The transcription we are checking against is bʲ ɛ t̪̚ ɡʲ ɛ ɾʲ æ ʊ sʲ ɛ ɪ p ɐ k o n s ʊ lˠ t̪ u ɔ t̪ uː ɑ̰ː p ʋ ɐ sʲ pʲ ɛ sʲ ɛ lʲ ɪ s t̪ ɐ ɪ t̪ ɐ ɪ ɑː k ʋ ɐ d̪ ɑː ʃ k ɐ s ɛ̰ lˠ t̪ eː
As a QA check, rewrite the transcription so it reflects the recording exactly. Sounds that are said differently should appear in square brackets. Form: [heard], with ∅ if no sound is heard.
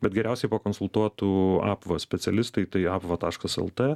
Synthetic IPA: bʲ ɛ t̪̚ ɡʲ ɛ ɾʲ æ ʊ sʲ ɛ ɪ p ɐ k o n s ʊ lˠ t̪ u ɔ t̪ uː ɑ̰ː p ʋ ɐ sʲ pʲ ɛ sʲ ɛ lʲ ɪ s t̪ ɐ ɪ t̪ ɐ ɪ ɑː [p] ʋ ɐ [t̪] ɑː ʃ k ɐ s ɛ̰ lˠ t̪ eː